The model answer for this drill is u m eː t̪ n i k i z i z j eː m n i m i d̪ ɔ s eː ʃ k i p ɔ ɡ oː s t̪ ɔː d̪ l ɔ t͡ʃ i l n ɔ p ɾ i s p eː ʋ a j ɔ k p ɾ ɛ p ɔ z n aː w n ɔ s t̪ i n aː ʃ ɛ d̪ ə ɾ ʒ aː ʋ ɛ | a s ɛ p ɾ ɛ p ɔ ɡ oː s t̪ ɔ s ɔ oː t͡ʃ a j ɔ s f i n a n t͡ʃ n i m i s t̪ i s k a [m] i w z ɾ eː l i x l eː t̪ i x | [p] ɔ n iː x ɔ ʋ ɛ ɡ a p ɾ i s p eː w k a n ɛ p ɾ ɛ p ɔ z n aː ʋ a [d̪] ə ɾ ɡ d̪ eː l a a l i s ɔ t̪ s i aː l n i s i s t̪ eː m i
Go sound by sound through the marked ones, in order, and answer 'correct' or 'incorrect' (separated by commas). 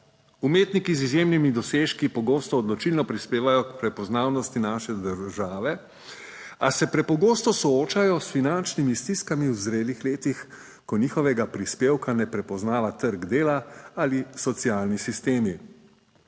correct, incorrect, incorrect